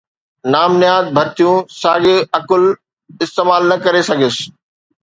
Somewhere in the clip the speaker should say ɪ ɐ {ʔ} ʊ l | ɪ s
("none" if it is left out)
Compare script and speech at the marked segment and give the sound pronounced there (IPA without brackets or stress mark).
k